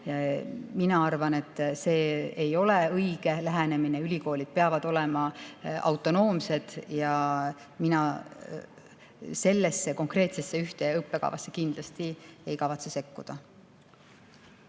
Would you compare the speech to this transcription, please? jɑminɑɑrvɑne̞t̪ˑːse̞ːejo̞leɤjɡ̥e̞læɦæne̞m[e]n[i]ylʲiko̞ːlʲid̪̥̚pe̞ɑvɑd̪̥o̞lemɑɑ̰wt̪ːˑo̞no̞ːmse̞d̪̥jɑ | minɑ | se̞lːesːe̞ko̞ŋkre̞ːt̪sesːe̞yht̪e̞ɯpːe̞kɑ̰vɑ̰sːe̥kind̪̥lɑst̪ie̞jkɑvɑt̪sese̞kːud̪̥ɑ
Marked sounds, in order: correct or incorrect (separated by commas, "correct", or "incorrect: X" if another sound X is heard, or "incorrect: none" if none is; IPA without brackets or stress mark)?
incorrect: i, incorrect: e